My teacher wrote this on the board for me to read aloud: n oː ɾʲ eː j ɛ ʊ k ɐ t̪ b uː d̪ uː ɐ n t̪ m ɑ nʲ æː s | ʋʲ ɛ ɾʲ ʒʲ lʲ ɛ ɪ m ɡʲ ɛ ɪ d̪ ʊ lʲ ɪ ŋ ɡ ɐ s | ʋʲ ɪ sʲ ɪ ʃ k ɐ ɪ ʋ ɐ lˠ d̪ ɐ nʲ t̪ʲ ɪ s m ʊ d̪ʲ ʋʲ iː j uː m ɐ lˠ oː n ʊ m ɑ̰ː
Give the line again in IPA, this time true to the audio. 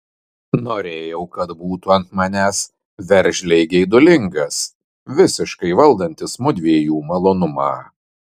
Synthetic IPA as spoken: n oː ɾʲ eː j ɛ ʊ k ɐ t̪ b uː t̪ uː ɐ n t̪ m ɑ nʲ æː s | ʋʲ ɛ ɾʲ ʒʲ lʲ ɛ ɪ ɡʲ ɛ ɪ d̪ ʊ lʲ ɪ ŋ ɡ ɐ s | ʋʲ ɪ sʲ ɪ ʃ k ɐ ɪ ʋ ɐ lˠ d̪ ɐ nʲ t̪ʲ ɪ s m ʊ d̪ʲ ʋʲ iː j uː m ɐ lˠ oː n ʊ m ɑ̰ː